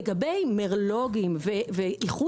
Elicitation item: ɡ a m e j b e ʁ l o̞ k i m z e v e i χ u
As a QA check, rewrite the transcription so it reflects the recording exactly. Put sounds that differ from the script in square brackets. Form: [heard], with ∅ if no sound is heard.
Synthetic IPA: ɡ a [b] e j [m] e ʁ l o̞ [ɡ] i m [v] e v e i χ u